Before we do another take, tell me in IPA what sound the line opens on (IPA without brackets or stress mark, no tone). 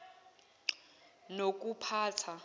n